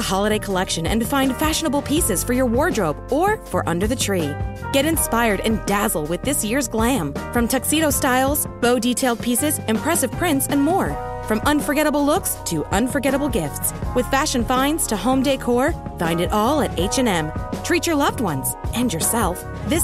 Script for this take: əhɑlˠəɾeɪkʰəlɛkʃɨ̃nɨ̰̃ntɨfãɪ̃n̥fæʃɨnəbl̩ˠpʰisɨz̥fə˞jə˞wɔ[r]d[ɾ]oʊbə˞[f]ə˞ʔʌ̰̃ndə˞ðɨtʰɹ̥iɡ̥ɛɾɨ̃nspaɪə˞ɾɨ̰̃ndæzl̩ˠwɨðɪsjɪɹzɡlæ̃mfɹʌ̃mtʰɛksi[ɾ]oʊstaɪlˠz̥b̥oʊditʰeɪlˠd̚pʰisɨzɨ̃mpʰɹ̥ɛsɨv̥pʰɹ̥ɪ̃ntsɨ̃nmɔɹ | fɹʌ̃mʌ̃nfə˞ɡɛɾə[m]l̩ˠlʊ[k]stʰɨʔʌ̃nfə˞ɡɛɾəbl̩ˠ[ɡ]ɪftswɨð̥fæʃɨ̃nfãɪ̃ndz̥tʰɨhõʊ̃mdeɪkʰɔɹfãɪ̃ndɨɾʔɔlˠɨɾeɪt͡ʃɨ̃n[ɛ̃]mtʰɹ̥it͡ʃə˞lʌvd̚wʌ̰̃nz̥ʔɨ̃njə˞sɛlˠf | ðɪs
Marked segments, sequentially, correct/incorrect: incorrect, incorrect, correct, correct, incorrect, correct, correct, correct

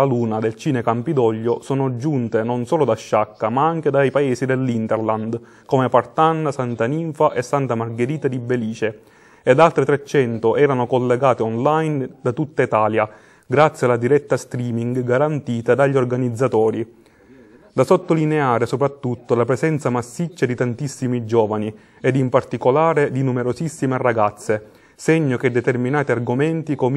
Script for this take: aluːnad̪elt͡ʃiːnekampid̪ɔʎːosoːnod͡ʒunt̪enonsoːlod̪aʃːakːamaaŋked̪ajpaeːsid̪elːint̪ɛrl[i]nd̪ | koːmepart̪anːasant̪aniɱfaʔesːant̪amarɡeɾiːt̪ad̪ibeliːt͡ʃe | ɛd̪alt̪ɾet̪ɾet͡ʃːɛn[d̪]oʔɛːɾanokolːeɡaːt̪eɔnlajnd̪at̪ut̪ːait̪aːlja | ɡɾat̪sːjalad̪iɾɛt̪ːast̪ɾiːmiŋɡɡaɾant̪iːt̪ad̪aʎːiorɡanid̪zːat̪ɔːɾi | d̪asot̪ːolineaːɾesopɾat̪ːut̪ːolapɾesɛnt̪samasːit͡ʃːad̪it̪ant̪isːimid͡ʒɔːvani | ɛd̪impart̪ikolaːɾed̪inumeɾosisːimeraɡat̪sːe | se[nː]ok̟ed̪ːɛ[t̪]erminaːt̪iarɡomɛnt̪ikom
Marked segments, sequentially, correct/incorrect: incorrect, incorrect, incorrect, correct

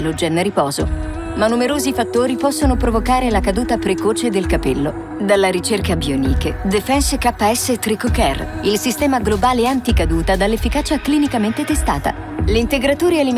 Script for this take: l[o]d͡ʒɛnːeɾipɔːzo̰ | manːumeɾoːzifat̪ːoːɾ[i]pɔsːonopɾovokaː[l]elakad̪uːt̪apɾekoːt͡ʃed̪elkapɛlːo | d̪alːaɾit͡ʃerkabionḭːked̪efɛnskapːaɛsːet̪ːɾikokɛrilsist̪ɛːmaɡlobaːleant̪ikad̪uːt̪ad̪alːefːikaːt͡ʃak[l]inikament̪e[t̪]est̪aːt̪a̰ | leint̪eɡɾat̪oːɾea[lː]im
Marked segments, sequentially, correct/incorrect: correct, correct, incorrect, correct, correct, incorrect

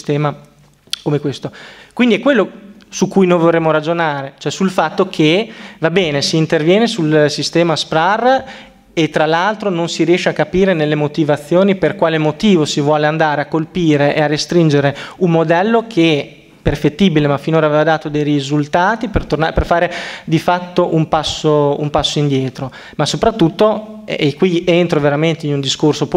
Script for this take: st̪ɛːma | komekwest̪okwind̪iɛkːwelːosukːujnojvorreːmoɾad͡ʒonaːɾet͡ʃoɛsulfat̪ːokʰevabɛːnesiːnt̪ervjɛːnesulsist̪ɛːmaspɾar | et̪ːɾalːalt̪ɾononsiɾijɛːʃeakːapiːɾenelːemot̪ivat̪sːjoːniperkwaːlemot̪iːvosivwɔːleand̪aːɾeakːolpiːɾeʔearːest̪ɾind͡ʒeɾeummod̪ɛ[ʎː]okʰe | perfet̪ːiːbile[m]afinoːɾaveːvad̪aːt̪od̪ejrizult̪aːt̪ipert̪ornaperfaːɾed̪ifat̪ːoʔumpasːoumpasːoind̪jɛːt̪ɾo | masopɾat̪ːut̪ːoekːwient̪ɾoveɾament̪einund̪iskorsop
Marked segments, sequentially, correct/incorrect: incorrect, correct

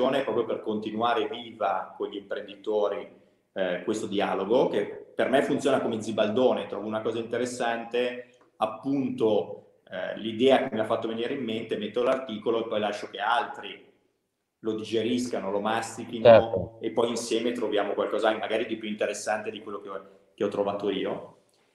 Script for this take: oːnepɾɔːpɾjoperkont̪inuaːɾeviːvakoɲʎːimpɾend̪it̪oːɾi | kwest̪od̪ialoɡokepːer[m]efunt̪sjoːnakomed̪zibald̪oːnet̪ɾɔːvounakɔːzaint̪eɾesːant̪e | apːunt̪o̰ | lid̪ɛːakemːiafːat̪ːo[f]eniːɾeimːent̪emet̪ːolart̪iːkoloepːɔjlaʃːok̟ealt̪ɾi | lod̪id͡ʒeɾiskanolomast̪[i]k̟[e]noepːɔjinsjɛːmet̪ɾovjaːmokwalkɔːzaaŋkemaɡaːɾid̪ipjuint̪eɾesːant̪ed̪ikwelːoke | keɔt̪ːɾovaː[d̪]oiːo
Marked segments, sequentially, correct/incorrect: correct, incorrect, correct, incorrect, incorrect

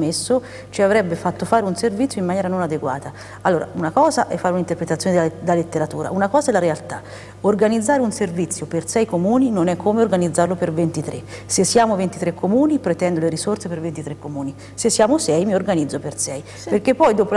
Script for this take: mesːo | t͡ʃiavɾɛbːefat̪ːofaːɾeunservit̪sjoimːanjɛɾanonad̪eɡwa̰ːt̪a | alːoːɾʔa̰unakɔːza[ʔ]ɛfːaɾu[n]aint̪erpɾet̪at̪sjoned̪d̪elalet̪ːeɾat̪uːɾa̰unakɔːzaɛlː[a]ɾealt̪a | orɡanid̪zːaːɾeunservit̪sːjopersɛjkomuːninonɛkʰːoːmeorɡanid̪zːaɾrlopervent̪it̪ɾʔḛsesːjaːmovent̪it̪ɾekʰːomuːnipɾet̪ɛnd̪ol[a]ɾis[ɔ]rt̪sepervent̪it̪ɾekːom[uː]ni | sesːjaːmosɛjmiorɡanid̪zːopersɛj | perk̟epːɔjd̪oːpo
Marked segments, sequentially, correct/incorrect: correct, correct, correct, incorrect, incorrect, correct

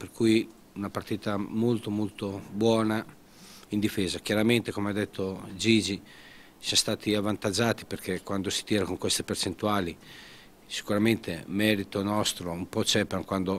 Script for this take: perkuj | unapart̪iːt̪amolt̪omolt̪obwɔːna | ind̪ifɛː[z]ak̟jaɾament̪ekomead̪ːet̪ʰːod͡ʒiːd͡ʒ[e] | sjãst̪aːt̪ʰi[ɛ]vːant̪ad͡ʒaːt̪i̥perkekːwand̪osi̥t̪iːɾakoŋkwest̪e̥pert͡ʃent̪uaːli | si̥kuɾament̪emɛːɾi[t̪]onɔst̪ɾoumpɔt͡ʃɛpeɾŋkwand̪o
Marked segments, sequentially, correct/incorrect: correct, incorrect, incorrect, correct

